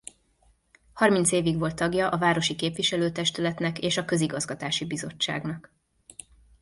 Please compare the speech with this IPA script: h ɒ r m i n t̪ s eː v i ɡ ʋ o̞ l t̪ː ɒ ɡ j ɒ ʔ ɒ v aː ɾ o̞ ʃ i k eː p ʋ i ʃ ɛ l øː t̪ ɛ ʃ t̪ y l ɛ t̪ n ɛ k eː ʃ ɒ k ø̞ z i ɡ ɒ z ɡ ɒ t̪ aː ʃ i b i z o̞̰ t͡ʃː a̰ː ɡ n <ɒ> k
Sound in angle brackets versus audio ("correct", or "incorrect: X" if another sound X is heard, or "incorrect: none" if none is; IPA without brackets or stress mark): correct